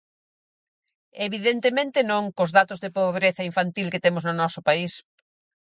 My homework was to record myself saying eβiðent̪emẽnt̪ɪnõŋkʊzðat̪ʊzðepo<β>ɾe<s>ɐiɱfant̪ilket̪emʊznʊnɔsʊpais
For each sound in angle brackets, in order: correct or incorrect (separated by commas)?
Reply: correct, incorrect